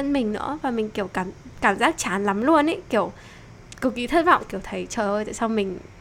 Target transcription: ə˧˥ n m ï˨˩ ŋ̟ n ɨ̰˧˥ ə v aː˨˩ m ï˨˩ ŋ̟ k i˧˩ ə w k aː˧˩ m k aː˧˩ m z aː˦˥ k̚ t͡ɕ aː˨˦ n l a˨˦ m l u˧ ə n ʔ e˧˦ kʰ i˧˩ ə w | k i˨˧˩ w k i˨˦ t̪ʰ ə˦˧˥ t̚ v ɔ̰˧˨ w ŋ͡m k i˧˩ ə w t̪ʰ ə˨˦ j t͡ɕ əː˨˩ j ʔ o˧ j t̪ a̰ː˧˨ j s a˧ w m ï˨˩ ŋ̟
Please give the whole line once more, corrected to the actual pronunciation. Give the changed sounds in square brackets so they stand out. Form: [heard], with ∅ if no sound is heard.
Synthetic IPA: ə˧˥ n m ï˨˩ ŋ̟ n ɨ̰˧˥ ə v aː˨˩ m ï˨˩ ŋ̟ k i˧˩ ə w k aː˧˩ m k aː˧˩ m z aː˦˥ k̚ t͡ɕ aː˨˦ n l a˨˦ m l u˧ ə n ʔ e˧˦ [k] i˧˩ ə w | k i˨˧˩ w k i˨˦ t̪ʰ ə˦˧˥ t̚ v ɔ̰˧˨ w ŋ͡m k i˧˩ ə w t̪ʰ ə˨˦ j t͡ɕ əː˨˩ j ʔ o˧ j t̪ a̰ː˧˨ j s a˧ w m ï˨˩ ŋ̟